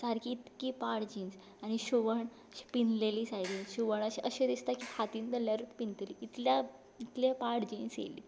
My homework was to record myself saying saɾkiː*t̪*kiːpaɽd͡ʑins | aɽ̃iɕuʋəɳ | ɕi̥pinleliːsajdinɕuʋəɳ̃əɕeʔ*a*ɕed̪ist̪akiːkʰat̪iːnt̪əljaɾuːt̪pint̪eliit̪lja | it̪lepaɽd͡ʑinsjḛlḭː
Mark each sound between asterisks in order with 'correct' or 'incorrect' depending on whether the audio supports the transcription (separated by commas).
correct, incorrect